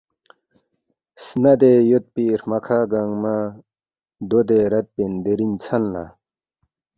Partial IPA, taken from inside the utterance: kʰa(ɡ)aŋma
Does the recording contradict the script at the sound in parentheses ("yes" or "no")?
no